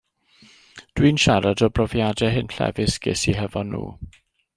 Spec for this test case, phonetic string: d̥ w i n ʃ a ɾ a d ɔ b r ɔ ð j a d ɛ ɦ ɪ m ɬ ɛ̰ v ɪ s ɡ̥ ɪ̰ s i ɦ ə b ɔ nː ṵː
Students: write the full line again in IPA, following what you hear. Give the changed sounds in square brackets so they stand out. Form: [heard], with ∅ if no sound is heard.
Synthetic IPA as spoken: d̥ w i n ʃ a ɾ a d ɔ b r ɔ [v] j a d ɛ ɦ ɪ [n] ɬ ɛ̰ v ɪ s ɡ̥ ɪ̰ s i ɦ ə [v] ɔ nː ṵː